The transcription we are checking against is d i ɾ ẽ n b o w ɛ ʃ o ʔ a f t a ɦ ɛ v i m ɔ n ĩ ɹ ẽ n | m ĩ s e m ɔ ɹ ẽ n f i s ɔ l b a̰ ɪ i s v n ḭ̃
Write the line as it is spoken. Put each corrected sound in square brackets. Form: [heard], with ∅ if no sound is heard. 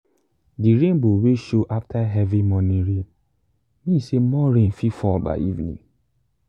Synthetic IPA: d i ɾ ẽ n b o w [e] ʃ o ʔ a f t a ɦ ɛ v i m ɔ n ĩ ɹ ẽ n | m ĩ s e m ɔ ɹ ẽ n f i [f] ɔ l b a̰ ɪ i [∅] v n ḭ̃